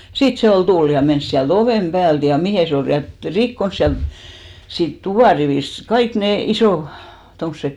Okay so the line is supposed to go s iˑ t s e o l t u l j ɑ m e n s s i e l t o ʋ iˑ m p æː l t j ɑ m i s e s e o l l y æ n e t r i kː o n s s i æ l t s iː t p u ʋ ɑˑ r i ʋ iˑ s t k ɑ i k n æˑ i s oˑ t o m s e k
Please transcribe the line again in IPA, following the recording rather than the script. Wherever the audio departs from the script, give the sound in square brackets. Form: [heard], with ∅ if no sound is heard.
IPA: s iˑ t s e o l t u l j ɑ m e n s s i [æ] l t o ʋ [eˑ] m p æː l t j ɑ m i [h] e s e o l l y æ n e t r i kː o n s s i æ l t s iː t [t] u ʋ ɑˑ r i ʋ iˑ s t k ɑ i k n [eˑ] i s oˑ t o m s e k